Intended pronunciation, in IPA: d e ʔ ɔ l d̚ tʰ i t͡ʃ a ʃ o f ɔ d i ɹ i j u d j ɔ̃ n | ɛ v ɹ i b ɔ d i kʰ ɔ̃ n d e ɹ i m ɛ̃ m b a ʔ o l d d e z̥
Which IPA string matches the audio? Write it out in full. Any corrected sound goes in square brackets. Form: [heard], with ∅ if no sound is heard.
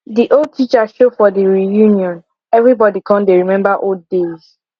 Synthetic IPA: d [i] ʔ [o] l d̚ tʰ i t͡ʃ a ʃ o f ɔ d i ɹ i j u [n] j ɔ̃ n | ɛ v ɹ i b ɔ d i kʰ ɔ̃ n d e ɹ i m ɛ̃ m b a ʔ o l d d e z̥